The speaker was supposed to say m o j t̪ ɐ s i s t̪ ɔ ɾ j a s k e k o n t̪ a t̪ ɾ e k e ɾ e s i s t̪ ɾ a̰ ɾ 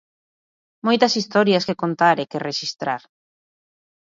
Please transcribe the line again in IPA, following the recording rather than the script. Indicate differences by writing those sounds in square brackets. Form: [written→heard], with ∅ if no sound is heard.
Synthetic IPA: m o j t̪ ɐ s i s t̪ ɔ ɾ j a s k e k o n t̪ a [t̪→∅] ɾ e k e [ɾ→r] e [s→ʃ] i s t̪ ɾ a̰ ɾ